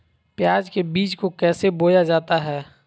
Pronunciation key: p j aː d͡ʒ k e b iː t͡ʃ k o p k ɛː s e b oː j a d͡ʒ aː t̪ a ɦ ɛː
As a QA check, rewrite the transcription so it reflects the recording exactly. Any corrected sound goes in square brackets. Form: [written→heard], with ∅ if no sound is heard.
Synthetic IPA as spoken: p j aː d͡ʒ k e b iː t͡ʃ k o [p→∅] k ɛː s e b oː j a d͡ʒ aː t̪ a ɦ ɛː

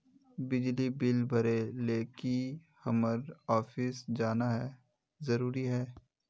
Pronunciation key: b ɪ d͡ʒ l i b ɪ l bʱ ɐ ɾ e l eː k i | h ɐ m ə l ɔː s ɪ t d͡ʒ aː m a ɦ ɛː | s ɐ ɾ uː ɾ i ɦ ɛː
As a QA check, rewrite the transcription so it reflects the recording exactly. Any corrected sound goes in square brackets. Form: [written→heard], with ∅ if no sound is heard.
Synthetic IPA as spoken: b ɪ d͡ʒ l i b ɪ l bʱ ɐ ɾ e l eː k i | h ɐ m ə [l→ɾ] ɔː [s→f] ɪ [t→s] d͡ʒ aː [m→n] a ɦ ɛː | [s→z] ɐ ɾ uː ɾ i ɦ ɛː

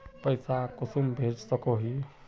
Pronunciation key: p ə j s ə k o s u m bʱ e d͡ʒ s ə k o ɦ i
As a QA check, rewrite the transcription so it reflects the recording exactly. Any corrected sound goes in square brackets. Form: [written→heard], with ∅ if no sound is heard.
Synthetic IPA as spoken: p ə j s [ə→a] k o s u m bʱ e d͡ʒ s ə k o ɦ i

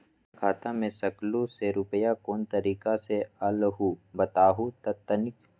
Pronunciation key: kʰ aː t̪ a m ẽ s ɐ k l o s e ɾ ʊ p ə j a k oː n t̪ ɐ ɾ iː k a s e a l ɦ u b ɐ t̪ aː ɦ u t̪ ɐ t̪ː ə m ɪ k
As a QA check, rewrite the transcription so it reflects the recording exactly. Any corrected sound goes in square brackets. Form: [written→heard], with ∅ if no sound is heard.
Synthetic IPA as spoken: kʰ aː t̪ a m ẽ s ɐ k l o s e ɾ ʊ p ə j a k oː n t̪ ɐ ɾ iː k a s e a l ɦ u b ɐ t̪ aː ɦ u t̪ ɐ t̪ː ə [m→n] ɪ k

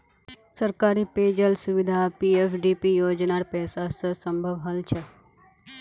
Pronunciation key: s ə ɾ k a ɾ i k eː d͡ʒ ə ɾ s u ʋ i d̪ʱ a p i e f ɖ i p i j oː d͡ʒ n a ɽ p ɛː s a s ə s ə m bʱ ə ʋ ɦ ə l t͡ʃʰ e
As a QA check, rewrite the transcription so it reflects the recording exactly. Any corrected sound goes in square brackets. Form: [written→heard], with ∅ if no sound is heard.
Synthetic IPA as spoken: s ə ɾ k a ɾ i [k→p] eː d͡ʒ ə [ɾ→l] s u ʋ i d̪ʱ a p i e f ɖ i p i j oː d͡ʒ n a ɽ p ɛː s a s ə s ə m bʱ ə ʋ ɦ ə l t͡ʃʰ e

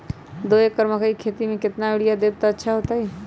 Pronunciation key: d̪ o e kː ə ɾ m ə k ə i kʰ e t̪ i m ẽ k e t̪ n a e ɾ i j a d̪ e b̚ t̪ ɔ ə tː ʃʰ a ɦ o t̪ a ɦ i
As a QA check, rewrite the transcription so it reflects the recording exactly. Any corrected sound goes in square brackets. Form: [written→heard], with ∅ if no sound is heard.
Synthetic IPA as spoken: d̪ o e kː ə ɾ m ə k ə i kʰ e t̪ i m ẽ k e t̪ n a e [ɾ→ɽ] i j a d̪ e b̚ t̪ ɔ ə tː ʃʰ a ɦ o t̪ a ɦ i

